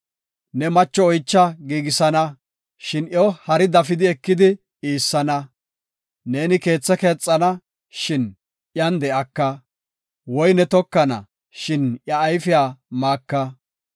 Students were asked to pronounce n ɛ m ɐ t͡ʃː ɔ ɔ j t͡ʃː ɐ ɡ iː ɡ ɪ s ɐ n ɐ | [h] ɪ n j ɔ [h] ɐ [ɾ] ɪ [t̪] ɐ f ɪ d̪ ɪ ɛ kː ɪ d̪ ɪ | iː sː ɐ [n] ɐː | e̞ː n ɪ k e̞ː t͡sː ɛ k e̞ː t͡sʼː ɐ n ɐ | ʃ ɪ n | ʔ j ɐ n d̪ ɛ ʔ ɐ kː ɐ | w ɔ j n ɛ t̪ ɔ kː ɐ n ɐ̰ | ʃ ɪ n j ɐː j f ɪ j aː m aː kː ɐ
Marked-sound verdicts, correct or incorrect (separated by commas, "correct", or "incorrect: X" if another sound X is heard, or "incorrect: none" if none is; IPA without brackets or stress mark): incorrect: ʃ, correct, correct, incorrect: d̪, correct